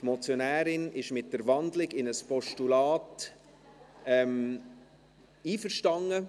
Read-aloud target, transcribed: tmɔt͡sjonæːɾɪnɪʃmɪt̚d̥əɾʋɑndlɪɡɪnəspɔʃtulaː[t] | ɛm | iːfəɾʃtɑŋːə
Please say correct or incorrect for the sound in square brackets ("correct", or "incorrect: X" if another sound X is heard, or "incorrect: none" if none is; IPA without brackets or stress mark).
correct